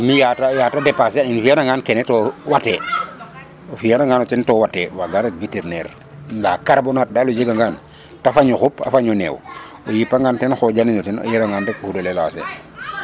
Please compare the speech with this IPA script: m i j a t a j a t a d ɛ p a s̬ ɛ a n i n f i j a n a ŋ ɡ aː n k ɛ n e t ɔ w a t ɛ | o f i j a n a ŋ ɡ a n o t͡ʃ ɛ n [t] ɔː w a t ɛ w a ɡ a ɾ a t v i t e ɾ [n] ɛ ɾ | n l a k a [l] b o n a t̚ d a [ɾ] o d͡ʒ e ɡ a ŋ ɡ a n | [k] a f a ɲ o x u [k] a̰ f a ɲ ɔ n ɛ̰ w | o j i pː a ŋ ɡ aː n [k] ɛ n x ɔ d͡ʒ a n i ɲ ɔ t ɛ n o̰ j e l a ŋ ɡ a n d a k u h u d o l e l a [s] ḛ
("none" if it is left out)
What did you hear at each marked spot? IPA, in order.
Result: t, n, ɾ, l, t, p, t, s

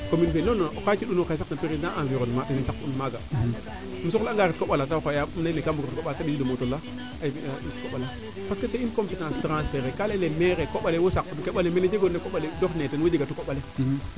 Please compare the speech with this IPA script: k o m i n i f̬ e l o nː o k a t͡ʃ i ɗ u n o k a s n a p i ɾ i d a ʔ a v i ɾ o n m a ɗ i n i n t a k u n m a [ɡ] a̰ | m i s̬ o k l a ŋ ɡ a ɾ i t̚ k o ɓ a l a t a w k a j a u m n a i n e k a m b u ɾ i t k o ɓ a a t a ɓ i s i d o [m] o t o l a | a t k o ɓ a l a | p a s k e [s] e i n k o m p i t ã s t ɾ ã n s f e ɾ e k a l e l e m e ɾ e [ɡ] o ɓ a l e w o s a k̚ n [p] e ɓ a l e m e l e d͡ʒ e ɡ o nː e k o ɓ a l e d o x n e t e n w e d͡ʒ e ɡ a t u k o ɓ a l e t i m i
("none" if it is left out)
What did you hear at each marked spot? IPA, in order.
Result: ɡ, m, s, k, k

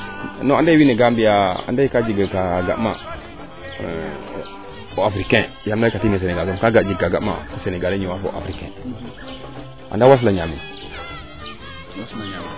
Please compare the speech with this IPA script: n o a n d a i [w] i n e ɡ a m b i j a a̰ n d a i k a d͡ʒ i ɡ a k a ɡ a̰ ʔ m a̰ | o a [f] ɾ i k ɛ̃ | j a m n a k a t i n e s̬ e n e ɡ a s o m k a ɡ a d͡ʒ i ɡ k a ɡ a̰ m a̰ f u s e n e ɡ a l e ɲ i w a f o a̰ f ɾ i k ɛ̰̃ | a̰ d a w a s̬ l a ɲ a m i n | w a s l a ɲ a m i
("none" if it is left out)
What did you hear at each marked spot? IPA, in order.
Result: w, f

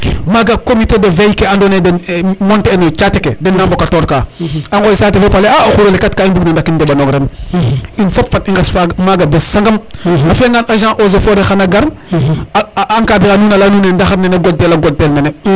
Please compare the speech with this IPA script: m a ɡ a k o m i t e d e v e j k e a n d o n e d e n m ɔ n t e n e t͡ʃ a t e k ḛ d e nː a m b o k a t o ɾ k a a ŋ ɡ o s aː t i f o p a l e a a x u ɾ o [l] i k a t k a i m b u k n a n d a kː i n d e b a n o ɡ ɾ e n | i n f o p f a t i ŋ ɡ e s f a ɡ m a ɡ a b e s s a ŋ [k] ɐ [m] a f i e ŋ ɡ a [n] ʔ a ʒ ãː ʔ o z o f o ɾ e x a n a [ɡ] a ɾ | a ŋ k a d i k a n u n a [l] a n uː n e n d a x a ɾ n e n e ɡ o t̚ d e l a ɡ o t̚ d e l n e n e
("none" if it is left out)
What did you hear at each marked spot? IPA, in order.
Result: l, ɡ, m, n, ɡ, l

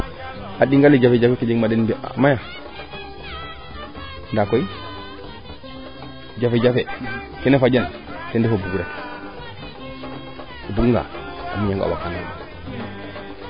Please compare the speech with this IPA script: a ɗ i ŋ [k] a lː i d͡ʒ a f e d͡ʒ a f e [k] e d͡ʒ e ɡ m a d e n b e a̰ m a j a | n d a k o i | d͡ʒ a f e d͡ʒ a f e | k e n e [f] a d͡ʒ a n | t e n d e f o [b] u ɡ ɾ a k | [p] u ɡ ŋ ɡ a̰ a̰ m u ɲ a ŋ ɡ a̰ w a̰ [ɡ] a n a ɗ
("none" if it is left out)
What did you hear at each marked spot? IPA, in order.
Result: ɡ, k, f, b, b, k

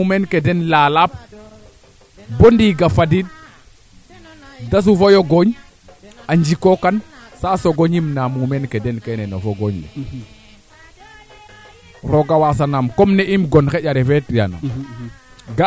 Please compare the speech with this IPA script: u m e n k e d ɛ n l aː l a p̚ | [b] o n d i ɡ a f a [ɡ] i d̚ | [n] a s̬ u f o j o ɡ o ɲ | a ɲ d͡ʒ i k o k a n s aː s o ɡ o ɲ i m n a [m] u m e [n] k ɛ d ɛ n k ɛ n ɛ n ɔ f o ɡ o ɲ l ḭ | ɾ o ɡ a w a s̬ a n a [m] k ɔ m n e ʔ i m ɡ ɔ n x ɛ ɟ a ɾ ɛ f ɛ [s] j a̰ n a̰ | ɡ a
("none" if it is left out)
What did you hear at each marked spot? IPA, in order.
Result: b, d, d, m, n, m, t

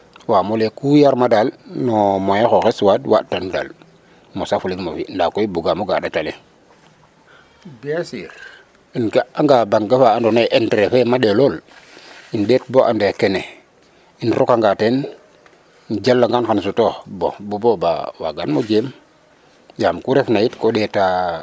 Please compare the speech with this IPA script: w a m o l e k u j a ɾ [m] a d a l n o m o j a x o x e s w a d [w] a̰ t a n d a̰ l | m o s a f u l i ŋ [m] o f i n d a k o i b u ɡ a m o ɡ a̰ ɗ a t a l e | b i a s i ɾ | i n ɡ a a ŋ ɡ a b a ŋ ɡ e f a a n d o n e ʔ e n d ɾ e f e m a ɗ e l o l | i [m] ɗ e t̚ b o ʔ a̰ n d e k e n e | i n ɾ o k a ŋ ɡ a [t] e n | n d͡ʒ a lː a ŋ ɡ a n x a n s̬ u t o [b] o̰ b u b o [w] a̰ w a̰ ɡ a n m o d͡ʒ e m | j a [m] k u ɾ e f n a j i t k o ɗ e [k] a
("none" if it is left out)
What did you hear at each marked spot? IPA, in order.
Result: m, w, m, n, t, b, b, m, t

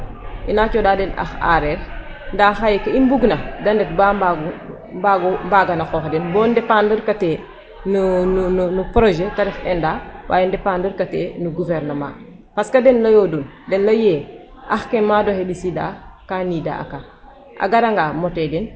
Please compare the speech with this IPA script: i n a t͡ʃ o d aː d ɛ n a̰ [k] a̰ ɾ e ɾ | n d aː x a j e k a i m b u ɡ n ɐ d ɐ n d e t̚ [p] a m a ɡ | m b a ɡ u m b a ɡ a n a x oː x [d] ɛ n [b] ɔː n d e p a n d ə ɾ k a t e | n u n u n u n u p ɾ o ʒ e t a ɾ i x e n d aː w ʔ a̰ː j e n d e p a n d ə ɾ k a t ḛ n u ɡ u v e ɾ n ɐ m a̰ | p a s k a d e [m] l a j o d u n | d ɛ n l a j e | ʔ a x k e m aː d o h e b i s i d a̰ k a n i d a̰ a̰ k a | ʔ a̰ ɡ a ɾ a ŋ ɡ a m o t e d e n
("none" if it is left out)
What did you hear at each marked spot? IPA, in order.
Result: x, b, d, b, n

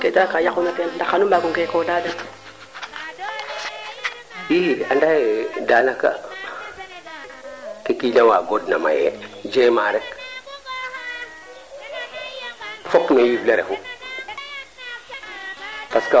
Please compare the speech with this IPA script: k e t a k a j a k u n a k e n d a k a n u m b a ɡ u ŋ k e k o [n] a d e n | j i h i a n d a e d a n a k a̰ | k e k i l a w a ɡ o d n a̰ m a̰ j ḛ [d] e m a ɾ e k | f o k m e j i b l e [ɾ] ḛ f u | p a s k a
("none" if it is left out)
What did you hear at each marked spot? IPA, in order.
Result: d, d͡ʒ, ɾ

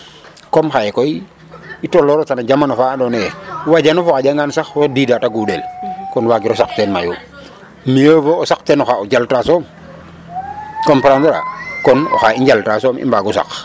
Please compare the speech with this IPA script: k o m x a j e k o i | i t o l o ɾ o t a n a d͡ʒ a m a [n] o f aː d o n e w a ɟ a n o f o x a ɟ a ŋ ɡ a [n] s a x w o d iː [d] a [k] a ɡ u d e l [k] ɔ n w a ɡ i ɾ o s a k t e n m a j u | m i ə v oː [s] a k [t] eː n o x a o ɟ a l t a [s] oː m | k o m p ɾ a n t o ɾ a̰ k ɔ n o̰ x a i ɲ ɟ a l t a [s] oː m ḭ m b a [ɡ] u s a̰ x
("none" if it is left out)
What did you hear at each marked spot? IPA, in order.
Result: n, n, d, t, k, s, t, s, s, ɡ

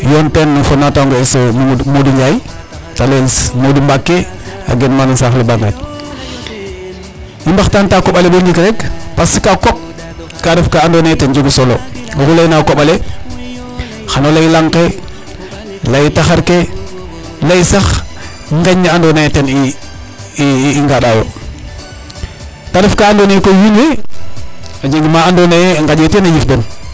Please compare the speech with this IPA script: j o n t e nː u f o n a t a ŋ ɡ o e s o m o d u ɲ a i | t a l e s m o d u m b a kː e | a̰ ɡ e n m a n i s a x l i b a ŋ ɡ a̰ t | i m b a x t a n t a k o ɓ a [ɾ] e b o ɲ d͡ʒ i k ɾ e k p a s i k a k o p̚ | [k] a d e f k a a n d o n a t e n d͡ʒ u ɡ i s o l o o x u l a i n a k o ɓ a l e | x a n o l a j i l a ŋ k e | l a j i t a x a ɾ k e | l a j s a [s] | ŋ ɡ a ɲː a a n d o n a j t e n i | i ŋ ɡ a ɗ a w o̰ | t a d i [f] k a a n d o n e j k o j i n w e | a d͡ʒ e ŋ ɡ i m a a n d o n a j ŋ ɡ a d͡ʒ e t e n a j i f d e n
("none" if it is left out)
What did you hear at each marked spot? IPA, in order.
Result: l, k, x, f

